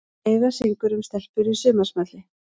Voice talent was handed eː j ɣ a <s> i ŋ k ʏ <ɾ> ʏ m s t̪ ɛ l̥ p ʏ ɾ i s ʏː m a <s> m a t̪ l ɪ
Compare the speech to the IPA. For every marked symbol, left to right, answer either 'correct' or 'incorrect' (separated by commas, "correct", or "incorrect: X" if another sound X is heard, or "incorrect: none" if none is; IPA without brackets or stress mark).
correct, correct, correct